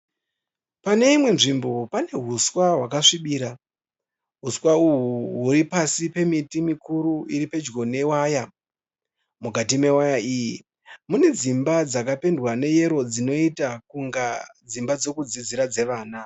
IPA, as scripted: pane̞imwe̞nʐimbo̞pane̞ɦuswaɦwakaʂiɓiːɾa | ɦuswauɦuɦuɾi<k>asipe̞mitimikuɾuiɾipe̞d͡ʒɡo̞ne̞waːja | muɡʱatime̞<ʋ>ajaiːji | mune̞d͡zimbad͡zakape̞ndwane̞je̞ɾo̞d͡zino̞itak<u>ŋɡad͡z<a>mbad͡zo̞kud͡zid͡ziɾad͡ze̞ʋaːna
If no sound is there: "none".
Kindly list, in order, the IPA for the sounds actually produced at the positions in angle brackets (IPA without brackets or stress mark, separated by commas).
p, w, u, i